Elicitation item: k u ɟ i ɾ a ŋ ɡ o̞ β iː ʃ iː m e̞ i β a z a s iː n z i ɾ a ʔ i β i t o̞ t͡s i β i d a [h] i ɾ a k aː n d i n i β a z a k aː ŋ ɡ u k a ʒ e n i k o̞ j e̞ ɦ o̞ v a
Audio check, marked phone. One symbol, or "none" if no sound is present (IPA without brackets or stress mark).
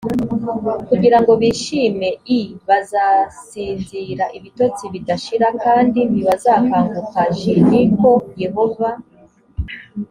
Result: ʃ